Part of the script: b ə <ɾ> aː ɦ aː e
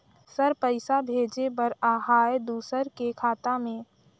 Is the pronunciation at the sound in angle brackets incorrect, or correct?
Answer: correct